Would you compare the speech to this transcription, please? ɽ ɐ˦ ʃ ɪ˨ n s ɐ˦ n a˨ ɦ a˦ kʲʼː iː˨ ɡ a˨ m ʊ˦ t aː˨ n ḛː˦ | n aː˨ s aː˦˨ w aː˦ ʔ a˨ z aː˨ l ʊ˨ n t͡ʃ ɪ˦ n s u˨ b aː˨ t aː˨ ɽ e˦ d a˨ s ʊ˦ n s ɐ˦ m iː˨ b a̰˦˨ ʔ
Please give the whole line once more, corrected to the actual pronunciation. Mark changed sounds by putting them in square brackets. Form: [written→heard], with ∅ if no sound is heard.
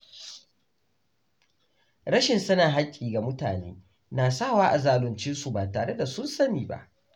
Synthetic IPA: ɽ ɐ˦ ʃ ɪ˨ n s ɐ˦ n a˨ ɦ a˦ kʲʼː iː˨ ɡ a˨ m ʊ˦ t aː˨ n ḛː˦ | n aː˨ s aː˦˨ w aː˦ ʔ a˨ z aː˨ l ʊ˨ n t͡ʃ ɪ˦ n s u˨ b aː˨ t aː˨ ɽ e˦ d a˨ s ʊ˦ n s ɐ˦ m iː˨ b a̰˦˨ ʔ